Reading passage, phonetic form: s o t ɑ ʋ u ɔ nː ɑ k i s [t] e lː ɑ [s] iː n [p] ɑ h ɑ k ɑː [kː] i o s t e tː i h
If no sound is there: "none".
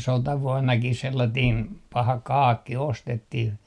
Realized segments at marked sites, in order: s, t, p, kː

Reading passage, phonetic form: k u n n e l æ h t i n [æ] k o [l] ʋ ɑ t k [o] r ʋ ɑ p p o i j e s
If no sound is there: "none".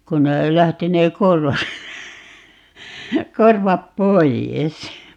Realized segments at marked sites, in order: e, r, o

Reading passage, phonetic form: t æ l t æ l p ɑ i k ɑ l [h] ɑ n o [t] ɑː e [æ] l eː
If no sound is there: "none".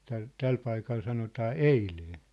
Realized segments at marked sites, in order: s, t, i

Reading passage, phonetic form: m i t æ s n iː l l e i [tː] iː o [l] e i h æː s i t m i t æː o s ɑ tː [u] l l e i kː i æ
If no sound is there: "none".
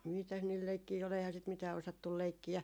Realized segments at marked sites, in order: kː, l, u

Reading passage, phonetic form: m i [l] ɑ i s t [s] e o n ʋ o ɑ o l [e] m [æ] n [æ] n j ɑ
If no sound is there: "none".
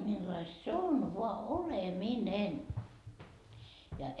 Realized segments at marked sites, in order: lː, s, e, i, e

